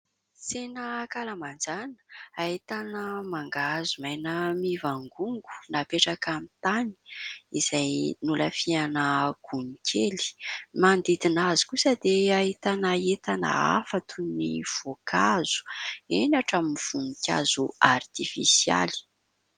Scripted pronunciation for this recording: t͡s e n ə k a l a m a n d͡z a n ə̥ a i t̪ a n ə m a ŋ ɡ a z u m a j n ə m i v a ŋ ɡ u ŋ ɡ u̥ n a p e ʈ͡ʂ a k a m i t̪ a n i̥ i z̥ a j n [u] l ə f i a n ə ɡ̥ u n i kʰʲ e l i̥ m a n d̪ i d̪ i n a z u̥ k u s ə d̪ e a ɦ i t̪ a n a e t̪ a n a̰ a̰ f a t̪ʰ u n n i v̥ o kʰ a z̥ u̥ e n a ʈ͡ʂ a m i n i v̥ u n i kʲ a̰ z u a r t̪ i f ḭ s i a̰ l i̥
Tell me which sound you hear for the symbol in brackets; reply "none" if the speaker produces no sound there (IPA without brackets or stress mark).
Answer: u